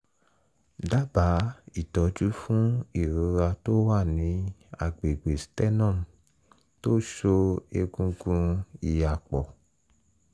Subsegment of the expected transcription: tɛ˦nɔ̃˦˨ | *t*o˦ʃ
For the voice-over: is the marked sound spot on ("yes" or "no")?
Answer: yes